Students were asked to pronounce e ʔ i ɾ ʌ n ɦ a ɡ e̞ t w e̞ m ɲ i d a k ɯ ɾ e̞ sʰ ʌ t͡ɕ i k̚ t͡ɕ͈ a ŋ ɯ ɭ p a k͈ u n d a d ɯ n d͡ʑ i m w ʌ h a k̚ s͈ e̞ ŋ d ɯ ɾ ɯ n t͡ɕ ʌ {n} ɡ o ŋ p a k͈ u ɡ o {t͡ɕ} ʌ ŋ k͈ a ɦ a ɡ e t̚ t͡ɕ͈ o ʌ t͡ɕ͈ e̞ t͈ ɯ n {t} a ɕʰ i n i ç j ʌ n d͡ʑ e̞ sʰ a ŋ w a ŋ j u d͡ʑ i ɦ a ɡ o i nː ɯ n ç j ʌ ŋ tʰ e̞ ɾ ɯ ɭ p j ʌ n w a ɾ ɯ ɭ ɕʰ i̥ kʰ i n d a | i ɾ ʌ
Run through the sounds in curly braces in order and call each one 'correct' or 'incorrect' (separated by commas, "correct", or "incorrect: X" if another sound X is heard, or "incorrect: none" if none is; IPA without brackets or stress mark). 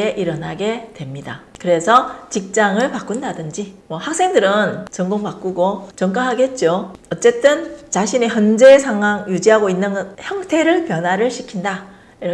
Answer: incorrect: ŋ, correct, incorrect: t͡ɕ